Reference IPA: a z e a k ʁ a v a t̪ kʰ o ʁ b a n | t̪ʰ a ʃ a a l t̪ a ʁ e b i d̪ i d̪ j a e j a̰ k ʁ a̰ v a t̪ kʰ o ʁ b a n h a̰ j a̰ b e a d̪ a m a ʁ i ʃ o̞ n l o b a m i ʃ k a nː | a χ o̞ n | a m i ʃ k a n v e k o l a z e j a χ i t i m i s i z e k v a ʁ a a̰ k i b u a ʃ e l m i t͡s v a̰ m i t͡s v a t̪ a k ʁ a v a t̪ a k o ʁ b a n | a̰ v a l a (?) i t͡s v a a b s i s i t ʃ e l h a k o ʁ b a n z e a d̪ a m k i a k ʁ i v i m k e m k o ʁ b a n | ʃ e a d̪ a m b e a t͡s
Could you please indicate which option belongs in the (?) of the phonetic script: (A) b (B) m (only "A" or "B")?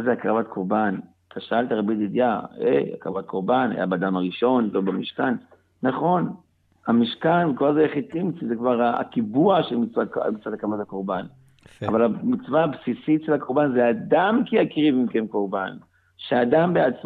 B